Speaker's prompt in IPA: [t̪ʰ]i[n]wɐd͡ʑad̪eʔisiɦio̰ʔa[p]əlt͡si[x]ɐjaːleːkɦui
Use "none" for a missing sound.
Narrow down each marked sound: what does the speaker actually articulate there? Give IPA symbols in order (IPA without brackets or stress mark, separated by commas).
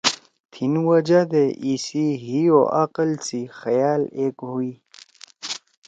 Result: t̪ʰ, n, q, x